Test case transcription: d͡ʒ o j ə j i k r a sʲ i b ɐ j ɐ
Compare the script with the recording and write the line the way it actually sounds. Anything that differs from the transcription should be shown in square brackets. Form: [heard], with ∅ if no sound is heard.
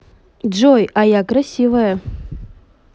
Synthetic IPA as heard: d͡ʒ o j [a] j [a] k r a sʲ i [v] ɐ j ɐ

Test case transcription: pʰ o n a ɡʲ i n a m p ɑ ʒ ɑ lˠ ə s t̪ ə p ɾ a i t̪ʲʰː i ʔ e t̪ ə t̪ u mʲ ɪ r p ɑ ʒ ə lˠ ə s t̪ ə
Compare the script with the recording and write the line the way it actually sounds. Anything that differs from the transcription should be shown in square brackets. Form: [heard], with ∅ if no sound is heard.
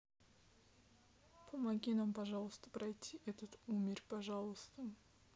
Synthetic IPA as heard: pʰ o [m] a ɡʲ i n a m p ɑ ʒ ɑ lˠ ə s t̪ ə p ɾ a [j] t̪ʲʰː i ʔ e t̪ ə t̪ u mʲ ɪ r p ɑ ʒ [ɑ] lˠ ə s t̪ ə

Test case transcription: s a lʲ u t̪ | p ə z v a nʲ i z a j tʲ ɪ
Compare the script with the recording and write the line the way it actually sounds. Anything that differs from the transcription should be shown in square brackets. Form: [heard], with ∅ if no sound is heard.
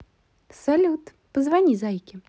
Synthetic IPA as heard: s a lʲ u t̪ | p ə z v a nʲ i z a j [kʲ] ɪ

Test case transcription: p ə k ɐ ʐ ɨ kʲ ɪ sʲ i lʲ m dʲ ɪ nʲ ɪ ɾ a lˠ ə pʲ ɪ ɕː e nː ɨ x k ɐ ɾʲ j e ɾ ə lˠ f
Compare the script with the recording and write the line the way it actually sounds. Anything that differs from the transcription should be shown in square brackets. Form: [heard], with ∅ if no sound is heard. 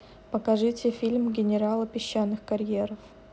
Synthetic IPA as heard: p ə k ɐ ʐ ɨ [tʲ] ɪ [fʲ] i lʲ m [ɡʲ] ɪ nʲ ɪ ɾ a lˠ ə pʲ ɪ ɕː [a] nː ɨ x k ɐ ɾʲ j e ɾ ə [∅] f

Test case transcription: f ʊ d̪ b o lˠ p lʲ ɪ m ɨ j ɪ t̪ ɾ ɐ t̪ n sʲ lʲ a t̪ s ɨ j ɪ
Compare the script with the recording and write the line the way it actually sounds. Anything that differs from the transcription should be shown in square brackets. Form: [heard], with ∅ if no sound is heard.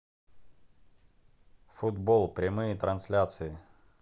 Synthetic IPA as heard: f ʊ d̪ b o lˠ p [ɾʲ] ɪ m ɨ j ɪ t̪ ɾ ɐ [∅] n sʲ lʲ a t̪ s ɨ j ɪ

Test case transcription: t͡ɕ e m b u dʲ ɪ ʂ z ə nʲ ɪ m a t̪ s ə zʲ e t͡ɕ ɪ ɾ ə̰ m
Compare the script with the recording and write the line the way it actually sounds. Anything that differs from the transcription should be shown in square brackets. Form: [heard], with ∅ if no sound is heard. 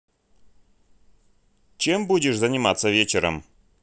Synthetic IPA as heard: t͡ɕ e m b u dʲ ɪ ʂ z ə nʲ ɪ m a t̪ s ə [vʲ] e t͡ɕ ɪ ɾ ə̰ m

